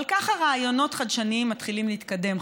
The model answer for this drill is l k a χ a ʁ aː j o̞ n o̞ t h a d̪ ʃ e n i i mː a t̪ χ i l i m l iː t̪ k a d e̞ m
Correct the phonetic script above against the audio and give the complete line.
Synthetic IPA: l k a χ a ʁ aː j o̞ n o̞ t χ a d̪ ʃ a n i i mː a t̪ χ i l i m l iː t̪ k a d e̞ m